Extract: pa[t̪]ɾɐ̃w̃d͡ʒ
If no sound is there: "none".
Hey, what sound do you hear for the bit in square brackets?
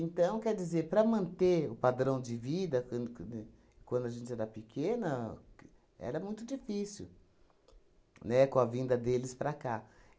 d̪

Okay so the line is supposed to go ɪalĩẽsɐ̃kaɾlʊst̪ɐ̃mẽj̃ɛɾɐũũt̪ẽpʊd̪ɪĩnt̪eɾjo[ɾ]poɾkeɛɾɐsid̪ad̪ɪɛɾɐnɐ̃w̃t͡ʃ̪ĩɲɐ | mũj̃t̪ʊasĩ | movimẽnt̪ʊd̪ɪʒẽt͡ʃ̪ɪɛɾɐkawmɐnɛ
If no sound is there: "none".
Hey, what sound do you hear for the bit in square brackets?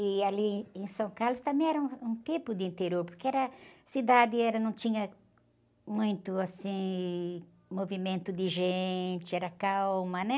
ɾ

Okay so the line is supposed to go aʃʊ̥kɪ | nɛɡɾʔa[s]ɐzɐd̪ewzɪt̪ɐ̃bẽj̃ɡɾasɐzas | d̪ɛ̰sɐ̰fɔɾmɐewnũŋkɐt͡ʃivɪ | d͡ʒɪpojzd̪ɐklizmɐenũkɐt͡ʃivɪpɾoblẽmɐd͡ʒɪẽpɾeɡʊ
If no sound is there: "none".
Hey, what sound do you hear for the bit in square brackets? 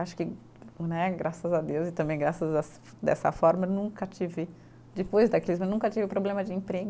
s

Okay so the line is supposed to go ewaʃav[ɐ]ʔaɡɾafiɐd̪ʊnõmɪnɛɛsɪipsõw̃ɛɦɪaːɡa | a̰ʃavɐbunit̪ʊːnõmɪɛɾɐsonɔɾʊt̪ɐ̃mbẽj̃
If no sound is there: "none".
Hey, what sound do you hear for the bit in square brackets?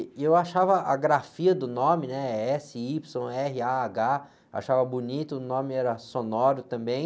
ɐ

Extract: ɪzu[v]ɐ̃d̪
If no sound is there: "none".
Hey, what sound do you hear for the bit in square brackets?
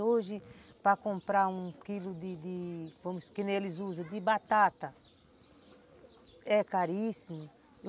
z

